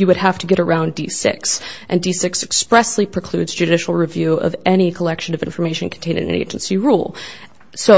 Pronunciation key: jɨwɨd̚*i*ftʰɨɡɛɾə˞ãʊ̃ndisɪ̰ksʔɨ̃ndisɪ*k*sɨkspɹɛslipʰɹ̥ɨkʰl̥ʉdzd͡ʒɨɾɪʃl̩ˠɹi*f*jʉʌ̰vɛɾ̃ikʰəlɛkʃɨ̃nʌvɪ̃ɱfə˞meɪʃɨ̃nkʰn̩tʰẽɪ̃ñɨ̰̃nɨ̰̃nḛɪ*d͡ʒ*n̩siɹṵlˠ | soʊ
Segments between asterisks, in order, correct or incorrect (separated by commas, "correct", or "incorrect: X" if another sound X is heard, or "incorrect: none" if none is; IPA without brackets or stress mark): incorrect: æ, correct, incorrect: v, correct